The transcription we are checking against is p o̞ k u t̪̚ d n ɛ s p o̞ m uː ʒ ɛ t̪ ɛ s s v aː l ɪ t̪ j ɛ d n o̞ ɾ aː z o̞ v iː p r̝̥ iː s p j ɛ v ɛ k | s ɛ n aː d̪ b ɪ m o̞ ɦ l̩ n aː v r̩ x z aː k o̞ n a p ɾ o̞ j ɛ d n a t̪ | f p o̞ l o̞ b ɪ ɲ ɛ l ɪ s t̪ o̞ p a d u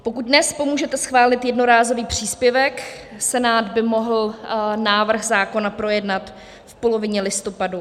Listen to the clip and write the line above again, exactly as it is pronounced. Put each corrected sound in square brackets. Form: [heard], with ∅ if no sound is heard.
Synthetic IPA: p o̞ k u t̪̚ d n ɛ s p o̞ m uː ʒ ɛ t̪ ɛ s [x] v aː l ɪ t̪ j ɛ d n o̞ ɾ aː z o̞ v iː p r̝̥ iː s p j ɛ v ɛ k | s ɛ n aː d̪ b ɪ m o̞ ɦ l̩ n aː v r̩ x z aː k o̞ n a p ɾ o̞ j ɛ d n a t̪ | f p o̞ l o̞ [v] ɪ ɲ ɛ l ɪ s t̪ o̞ p a d u